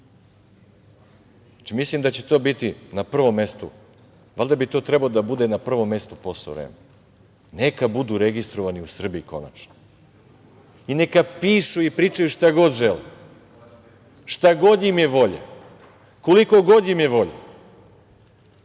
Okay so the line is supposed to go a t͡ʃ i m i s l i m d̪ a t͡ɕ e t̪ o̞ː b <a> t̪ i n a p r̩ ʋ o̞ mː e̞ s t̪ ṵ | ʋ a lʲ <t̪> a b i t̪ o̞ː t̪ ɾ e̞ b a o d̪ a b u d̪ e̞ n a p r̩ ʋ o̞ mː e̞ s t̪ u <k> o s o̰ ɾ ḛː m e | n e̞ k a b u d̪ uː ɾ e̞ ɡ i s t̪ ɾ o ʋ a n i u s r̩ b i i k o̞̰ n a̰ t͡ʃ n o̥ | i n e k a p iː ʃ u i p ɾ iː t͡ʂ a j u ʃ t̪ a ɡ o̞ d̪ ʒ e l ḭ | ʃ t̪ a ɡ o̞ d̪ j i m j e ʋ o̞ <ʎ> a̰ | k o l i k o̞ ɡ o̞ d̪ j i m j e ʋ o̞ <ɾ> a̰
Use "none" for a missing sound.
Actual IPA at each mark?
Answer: i, d̪, p, ʎ, ʎ

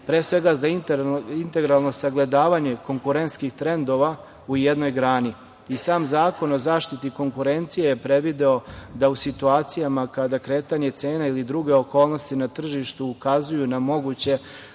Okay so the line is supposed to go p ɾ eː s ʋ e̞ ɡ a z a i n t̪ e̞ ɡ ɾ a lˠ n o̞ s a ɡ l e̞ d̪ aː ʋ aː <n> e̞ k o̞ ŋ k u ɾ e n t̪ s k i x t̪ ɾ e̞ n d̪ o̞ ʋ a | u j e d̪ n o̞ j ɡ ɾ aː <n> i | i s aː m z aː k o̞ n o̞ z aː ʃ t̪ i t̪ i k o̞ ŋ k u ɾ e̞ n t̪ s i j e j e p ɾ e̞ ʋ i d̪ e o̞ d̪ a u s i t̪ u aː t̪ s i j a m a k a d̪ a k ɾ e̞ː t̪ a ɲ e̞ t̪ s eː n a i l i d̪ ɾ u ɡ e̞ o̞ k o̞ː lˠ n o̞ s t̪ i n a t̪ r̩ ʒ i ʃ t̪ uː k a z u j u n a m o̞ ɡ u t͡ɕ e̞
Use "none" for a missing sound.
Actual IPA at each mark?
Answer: ɲ, n

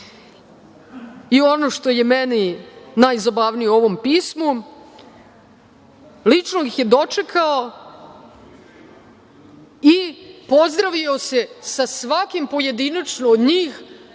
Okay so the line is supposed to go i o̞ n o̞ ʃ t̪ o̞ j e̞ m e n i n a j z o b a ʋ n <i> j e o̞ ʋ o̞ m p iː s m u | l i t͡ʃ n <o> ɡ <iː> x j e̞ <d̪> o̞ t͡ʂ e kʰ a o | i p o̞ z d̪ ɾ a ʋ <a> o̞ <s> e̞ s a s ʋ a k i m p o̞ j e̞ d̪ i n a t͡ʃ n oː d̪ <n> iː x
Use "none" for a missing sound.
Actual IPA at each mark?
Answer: i, o, i, d̪, i, s, ɲ

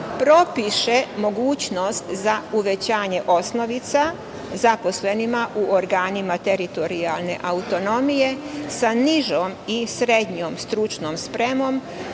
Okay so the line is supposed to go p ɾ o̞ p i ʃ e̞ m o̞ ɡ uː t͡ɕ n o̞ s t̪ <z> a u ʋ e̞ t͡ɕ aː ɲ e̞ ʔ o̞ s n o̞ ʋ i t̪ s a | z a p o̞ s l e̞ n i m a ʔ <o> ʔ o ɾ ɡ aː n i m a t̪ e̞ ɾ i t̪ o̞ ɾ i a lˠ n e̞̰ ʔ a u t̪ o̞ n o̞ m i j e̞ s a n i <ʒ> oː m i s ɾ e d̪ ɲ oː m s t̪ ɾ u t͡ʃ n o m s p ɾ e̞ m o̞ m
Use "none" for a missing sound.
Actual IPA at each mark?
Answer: z, u, ʒ

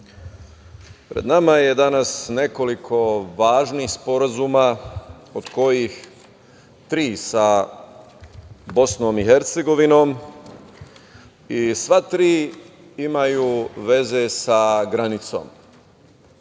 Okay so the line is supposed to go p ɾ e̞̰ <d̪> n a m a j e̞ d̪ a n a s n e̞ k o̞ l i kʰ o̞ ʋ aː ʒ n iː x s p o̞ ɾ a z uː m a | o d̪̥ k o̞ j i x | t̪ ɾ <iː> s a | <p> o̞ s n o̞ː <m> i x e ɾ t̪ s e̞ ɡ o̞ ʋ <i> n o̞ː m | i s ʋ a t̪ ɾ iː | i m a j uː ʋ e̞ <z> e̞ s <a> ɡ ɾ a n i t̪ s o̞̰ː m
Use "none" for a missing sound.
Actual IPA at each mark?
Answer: d̪, iː, b, m, i, z, a

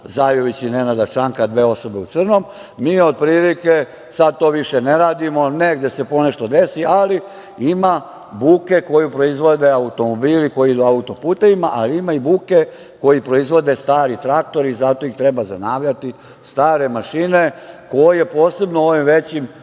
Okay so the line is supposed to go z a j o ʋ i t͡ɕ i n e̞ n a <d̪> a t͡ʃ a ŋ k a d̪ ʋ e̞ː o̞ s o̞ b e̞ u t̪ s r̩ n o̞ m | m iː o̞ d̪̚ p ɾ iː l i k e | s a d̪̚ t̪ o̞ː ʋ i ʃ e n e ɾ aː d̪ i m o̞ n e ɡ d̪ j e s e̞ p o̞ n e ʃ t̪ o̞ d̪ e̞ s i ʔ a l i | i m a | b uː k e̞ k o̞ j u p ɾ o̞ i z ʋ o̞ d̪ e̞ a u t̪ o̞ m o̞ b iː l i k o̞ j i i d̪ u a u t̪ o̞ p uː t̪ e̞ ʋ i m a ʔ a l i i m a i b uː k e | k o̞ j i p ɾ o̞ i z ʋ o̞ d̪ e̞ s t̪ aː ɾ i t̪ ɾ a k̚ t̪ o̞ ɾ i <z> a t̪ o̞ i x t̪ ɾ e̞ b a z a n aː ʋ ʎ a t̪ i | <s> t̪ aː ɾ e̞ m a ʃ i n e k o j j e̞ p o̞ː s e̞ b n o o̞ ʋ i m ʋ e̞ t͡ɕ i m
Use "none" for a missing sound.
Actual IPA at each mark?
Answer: d̪, z, s

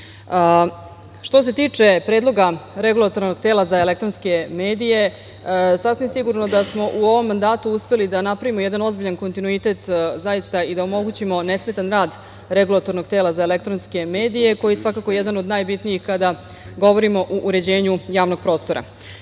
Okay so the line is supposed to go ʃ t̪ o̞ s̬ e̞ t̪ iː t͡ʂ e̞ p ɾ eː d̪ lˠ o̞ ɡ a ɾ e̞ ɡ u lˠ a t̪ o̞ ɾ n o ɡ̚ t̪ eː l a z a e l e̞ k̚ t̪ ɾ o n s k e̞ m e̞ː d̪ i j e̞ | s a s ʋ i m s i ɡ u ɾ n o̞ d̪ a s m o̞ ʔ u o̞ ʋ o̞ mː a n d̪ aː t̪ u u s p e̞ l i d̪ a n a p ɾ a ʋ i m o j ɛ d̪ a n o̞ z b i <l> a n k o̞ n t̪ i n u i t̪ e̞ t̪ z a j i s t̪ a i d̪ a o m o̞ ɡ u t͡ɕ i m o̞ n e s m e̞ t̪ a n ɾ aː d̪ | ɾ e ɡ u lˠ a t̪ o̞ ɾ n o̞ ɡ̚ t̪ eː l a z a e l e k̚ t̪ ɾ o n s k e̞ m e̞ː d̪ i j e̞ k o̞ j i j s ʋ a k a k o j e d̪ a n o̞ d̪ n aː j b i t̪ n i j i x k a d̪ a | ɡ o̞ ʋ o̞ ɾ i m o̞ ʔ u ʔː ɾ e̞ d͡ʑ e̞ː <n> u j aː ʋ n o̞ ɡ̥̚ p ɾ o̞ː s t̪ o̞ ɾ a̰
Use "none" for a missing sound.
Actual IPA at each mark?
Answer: ʎ, ɲ

